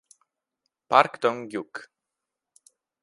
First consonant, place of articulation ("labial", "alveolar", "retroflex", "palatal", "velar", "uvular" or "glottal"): labial